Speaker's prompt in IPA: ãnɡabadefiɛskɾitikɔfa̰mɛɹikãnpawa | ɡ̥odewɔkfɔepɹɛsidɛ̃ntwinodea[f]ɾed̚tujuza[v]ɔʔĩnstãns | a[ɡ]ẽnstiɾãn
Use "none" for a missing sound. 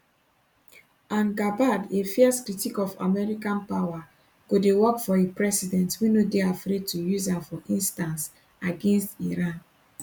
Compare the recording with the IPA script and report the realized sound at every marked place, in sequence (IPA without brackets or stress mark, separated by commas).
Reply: f, f, ɡ